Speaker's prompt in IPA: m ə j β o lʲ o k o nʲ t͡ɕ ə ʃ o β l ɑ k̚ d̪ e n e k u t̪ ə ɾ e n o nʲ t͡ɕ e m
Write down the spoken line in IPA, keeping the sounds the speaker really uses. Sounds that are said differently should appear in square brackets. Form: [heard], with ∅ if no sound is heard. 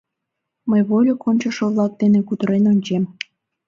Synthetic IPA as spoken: m ə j β o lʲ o k o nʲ t͡ɕ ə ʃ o β l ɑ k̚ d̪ e n e k u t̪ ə ɾ e n o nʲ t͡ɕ e m